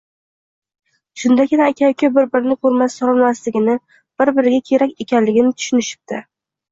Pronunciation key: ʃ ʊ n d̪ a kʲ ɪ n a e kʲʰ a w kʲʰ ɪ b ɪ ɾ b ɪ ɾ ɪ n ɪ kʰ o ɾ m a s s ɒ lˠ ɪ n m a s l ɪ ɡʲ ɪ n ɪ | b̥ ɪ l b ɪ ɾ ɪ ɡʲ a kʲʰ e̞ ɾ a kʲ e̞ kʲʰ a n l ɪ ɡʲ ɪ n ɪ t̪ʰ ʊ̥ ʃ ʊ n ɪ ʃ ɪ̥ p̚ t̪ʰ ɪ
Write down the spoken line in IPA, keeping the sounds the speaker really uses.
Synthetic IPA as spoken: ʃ ʊ n d̪ a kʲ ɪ n a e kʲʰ a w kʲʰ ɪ b ɪ ɾ b ɪ ɾ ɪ n ɪ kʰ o ɾ m a s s ɒ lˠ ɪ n m a s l ɪ ɡʲ ɪ n ɪ | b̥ ɪ ɾ b ɪ ɾ ɪ ɡʲ a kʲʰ e̞ ɾ a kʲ e̞ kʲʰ a n l ɪ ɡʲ ɪ n ɪ t̪ʰ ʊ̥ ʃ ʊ n ɪ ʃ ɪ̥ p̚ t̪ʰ ɪ